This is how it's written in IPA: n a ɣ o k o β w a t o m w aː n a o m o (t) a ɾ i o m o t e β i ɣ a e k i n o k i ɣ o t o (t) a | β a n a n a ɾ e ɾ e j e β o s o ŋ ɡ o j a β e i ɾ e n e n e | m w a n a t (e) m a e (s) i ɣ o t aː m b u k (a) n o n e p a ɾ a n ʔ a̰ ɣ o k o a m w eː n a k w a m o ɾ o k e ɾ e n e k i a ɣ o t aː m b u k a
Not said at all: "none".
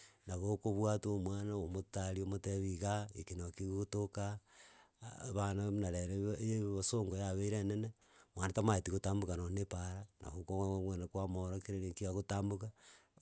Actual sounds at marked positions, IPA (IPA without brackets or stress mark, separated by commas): t, k, a, t, a